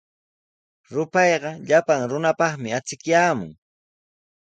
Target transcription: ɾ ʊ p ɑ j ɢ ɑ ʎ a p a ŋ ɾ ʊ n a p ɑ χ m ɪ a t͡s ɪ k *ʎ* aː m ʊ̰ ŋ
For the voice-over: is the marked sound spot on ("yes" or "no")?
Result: no